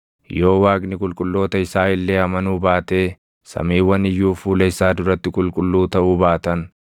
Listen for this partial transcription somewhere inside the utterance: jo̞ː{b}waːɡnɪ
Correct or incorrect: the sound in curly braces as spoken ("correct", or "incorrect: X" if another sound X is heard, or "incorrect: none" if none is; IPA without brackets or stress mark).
incorrect: none